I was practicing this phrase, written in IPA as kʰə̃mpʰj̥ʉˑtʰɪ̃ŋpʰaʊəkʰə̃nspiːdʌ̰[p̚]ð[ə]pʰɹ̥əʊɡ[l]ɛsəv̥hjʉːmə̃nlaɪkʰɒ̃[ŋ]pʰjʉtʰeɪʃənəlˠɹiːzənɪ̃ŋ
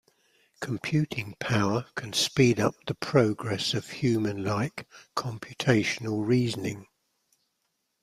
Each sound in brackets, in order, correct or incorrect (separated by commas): correct, correct, incorrect, incorrect